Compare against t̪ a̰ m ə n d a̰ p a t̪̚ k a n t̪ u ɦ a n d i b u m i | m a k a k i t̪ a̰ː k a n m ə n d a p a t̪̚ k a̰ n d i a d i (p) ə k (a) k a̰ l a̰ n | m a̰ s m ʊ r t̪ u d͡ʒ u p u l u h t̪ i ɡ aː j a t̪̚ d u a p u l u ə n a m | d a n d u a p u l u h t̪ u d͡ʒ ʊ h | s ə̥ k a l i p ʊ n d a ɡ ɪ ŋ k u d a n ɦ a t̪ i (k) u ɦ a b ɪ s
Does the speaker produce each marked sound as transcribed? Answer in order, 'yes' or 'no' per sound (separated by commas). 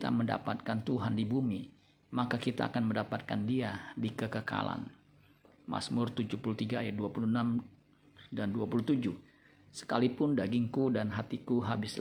no, no, yes